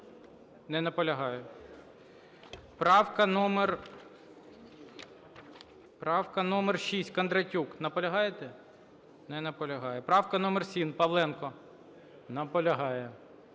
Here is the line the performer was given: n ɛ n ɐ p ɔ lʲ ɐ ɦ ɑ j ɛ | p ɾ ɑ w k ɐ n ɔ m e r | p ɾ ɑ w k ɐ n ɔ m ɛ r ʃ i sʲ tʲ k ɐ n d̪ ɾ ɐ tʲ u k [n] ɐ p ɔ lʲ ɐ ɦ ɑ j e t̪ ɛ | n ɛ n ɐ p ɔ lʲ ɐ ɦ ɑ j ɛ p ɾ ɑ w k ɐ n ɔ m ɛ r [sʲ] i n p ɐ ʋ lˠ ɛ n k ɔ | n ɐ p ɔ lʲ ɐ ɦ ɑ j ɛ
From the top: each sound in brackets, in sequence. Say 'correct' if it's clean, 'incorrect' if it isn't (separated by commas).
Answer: correct, correct